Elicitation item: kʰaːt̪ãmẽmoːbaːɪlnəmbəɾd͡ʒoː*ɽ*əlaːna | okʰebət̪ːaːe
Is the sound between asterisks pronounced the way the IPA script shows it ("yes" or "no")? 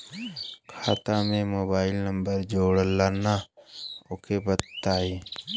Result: yes